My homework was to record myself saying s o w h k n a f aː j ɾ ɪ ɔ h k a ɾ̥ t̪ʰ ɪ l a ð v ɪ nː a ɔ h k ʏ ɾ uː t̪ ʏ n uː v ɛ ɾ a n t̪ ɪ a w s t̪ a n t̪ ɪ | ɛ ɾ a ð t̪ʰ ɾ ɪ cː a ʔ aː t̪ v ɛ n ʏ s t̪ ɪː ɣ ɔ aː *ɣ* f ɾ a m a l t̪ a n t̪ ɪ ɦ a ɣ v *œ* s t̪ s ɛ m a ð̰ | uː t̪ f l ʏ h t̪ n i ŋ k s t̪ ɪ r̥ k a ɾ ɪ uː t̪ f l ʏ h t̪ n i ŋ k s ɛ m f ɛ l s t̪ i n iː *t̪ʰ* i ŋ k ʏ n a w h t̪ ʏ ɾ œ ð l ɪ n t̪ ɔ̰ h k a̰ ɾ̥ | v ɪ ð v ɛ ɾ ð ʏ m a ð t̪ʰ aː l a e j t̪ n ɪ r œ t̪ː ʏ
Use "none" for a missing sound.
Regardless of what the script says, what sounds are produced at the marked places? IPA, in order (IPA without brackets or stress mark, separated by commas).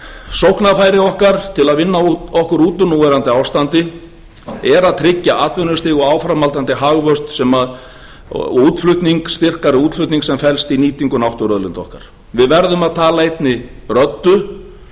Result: w, œ, t̪